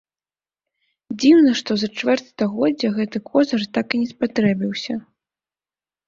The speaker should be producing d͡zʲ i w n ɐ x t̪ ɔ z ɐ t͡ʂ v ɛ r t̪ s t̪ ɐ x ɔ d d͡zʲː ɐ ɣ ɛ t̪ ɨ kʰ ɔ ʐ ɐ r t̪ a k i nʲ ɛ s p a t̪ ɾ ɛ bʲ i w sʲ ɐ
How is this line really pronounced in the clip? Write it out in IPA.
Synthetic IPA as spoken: d͡zʲ i w n ɐ ʂ t̪ ɔ z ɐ t͡ʂ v ɛ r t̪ s t̪ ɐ ɣ ɔ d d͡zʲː ɐ ɣ ɛ t̪ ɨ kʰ ɔ z ɐ r t̪ a k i nʲ ɛ s p a t̪ ɾ ɛ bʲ i w sʲ ɐ

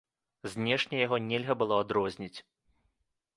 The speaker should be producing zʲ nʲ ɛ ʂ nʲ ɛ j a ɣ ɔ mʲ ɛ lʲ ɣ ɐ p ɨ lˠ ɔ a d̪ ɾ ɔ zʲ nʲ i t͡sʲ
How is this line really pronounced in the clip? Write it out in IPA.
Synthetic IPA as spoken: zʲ nʲ ɛ ʂ nʲ ɛ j a ɣ ɔ nʲ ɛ lʲ ɣ ɐ b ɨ lˠ ɔ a d̪ ɾ ɔ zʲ nʲ i t͡sʲ

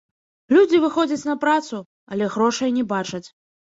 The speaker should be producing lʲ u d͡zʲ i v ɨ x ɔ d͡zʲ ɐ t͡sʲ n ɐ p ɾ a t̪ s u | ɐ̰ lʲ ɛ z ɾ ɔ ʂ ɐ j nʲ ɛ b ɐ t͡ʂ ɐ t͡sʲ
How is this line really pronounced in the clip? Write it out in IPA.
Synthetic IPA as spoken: lʲ u d͡zʲ i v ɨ x ɔ d͡zʲ ɐ t͡sʲ n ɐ p ɾ a t̪ s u | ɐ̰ lʲ ɛ ɣ ɾ ɔ ʂ ɐ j nʲ ɛ b a t͡ʂ ɐ t͡sʲ

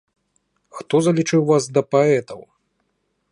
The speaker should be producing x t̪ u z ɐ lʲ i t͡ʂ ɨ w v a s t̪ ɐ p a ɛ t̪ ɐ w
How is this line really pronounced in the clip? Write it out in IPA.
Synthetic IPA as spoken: x t̪ ɔ z ɐ lʲ i t͡ʂ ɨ w v a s d̪ ɐ p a ɛ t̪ ɐ w

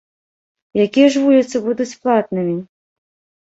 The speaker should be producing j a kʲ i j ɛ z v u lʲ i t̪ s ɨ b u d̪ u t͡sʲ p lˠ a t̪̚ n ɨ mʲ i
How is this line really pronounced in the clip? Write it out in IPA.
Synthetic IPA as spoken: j a kʲ i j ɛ ʐ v u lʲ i t̪ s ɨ b u d̪ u t͡sʲ p lˠ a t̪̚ n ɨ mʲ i

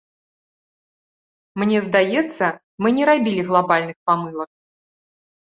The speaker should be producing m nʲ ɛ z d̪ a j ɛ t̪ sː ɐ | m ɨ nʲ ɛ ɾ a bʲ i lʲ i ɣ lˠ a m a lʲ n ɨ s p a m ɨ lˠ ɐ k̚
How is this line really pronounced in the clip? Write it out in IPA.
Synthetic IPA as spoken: m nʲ ɛ z d̪ a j ɛ t̪ sː ɐ | m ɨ nʲ ɛ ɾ a bʲ i lʲ i ɣ lˠ a b a lʲ n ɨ x p a m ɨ lˠ ɐ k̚

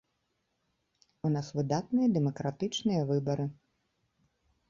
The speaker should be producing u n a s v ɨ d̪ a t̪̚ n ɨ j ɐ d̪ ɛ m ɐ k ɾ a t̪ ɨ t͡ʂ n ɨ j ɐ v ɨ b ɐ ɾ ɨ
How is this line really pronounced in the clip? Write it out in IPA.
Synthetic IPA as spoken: u n a s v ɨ d̪ a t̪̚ n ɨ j ɐ d̪ ɛ m ɐ k ɾ a t̪ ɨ t͡ʂ n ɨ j ɐ v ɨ b ɐ ɾ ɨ

